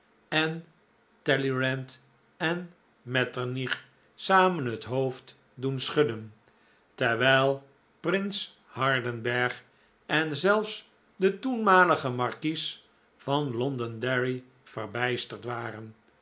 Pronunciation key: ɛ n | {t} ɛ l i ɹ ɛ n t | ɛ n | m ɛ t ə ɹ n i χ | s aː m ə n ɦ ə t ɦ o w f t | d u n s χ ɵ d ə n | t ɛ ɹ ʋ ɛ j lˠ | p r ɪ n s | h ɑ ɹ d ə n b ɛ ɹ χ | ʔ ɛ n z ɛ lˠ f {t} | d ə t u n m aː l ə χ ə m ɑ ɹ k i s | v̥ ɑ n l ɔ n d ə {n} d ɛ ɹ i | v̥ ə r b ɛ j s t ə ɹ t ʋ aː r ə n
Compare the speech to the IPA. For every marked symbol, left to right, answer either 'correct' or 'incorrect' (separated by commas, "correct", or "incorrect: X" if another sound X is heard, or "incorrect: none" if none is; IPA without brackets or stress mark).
correct, incorrect: s, correct